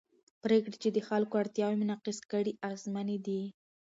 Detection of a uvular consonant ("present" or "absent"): present